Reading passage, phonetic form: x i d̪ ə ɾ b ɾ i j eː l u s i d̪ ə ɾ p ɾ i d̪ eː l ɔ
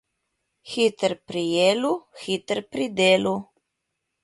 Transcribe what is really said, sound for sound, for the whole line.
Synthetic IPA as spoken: x i t̪ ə ɾ p ɾ i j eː l u x i t̪ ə ɾ p ɾ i d̪ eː l u

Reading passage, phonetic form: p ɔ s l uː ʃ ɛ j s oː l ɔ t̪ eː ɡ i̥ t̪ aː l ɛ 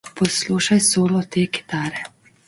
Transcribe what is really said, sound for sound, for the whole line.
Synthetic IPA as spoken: p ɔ s l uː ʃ a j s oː l ɔ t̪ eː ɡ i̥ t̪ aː ɾ ɛ

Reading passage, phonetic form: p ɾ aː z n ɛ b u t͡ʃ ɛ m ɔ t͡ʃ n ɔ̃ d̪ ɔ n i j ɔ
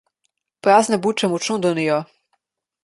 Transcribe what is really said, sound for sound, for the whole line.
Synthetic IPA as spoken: p ɾ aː z n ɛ b u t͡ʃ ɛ m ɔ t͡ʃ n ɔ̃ d̪ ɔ n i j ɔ

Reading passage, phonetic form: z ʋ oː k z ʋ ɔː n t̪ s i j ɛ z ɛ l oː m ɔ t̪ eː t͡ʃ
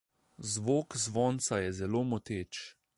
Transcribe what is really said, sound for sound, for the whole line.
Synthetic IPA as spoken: z ʋ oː k z ʋ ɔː n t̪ s a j ɛ z ɛ l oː m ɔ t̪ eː t͡ʃ

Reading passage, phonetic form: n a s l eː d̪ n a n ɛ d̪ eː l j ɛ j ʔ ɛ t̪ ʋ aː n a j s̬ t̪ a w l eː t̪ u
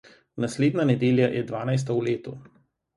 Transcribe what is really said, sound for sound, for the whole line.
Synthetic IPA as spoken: n a s l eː d̪ n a n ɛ d̪ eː l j a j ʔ ɛ d̪ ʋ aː n a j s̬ t̪ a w l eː t̪ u

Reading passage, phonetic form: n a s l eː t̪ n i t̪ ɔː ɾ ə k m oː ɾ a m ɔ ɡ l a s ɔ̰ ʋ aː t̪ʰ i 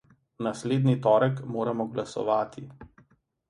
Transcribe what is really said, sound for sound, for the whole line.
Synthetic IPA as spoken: n a s l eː d̪ n i t̪ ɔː ɾ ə k m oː ɾ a m ɔ ɡ l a s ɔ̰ ʋ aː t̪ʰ i

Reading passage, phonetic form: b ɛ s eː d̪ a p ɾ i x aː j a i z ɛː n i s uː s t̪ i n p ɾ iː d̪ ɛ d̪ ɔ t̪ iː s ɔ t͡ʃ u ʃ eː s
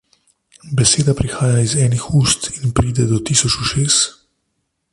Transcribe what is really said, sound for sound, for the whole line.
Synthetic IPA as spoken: b ɛ s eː d̪ a p ɾ i x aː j a i z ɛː n i x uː s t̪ i n p ɾ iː d̪ ɛ d̪ ɔ t̪ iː s ɔ t͡ʃ u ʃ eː s

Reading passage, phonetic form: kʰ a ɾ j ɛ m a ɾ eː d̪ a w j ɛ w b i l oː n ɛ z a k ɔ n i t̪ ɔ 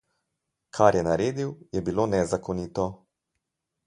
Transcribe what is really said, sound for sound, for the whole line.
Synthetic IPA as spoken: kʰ a ɾ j ɛ n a ɾ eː d̪ i w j ɛ b i l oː n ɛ z a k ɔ n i t̪ ɔ

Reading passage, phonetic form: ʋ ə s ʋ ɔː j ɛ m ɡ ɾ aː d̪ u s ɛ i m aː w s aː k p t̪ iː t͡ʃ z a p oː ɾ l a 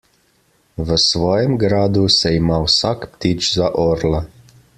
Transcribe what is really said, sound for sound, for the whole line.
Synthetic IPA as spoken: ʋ ə s ʋ ɔː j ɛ m ɡ ɾ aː d̪ u s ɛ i m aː w s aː k p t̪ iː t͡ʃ z a ʔ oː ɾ l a

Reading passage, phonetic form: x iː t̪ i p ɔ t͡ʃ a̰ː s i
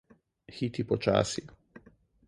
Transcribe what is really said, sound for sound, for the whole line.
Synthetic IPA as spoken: x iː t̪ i p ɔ t͡ʃ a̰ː s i

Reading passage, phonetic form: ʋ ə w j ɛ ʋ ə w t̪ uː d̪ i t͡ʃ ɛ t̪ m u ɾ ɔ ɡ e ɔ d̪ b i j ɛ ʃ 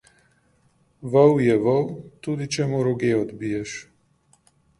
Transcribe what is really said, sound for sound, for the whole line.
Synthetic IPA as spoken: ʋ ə w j ɛ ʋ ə w t̪ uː d̪ i t͡ʃ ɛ m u ɾ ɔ ɡ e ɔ d̪ b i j ɛ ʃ

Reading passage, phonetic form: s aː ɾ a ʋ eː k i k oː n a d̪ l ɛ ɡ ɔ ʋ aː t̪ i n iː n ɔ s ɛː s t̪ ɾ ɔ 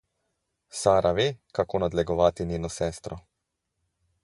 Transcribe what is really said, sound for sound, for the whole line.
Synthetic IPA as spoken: s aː ɾ a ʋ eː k a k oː n a d̪ l ɛ ɡ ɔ ʋ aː t̪ i n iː n ɔ s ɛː s t̪ ɾ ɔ

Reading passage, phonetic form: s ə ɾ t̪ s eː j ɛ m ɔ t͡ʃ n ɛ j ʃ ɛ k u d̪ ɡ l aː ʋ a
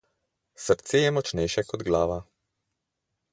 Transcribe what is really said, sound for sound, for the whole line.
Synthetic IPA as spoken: s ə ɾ t̪ s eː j ɛ m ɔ t͡ʃ n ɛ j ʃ ɛ k ɔ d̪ ɡ l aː ʋ a

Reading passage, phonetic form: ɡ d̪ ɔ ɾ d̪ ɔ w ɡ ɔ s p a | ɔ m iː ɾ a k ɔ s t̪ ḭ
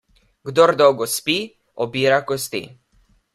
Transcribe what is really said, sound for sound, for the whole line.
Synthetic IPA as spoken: ɡ d̪ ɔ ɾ d̪ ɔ w ɡ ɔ s p i | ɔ b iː ɾ a k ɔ s t̪ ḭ

